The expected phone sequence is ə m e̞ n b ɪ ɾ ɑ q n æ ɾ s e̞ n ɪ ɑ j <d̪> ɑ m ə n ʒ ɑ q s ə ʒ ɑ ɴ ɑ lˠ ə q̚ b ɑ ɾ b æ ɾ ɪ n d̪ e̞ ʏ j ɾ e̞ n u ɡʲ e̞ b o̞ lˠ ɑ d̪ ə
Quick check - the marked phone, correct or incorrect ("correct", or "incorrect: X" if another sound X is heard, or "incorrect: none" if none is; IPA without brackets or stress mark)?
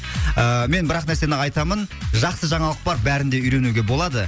incorrect: t̪